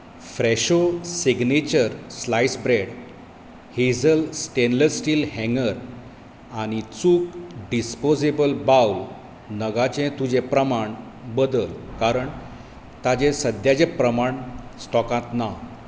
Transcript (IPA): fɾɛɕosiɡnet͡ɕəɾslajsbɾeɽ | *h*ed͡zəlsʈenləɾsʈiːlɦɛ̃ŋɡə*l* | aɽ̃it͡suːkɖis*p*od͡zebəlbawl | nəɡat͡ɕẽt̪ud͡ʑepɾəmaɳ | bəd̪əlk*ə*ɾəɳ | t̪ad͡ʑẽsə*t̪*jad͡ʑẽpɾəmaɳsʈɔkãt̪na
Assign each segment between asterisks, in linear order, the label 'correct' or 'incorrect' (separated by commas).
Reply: correct, incorrect, correct, incorrect, incorrect